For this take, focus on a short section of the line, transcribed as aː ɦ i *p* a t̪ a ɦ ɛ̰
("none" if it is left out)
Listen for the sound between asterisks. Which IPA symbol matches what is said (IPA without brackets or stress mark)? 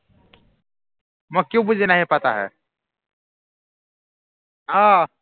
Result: p